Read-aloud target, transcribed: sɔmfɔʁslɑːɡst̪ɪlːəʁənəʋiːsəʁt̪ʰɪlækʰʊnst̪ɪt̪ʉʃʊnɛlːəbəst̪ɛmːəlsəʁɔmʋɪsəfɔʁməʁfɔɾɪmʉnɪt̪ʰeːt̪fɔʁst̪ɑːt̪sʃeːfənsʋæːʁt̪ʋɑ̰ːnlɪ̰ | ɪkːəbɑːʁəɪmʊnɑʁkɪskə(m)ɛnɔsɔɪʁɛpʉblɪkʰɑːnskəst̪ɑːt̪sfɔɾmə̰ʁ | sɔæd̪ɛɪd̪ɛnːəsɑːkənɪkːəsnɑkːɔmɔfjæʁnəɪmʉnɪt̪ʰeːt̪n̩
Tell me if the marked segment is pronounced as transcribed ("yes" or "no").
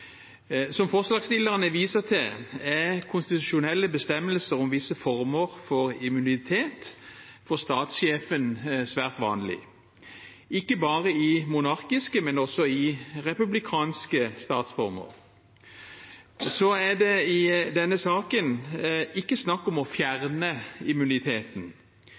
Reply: yes